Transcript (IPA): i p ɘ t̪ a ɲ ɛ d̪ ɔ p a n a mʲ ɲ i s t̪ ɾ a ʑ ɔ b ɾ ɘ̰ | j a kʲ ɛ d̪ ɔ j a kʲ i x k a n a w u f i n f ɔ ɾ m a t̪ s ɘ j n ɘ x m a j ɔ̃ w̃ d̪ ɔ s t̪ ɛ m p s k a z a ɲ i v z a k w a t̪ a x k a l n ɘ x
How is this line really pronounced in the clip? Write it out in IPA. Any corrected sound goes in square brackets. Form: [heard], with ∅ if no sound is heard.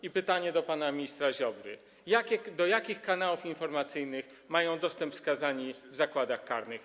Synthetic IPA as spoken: i p ɘ t̪ a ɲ ɛ d̪ ɔ p a n a mʲ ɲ i s t̪ ɾ a ʑ ɔ b ɾ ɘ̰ | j a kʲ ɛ d̪ ɔ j a kʲ i x k a n a w u f i n f ɔ ɾ m a t̪ s ɘ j n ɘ x m a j ɔ̃ w̃ d̪ ɔ s t̪ ɛ m p s k a z a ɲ i v z a k w a [d̪] a x k a [ɾ] n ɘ x